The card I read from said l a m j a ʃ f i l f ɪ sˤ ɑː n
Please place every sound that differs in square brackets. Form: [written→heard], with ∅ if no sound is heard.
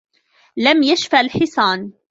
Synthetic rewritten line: l a m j a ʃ f [i→a] l [f→ħ] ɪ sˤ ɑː n